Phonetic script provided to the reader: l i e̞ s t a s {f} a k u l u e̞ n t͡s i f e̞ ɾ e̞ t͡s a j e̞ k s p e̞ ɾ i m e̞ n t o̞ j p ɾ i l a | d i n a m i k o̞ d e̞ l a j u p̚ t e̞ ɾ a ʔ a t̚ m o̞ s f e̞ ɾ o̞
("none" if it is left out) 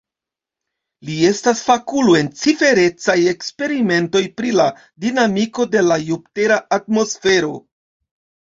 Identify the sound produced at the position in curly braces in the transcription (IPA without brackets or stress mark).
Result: f